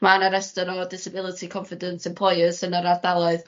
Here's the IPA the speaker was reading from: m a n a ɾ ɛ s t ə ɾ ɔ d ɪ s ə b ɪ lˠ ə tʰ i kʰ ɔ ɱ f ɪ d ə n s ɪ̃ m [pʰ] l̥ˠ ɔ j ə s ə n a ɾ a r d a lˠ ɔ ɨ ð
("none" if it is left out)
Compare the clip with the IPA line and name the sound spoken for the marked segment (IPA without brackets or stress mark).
pʰ